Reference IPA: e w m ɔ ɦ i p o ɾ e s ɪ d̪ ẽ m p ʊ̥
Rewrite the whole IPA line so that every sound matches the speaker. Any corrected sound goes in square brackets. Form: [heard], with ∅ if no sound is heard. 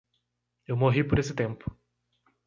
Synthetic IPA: e w m [o] ɦ i p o ɾ e s ɪ [t̪] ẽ m p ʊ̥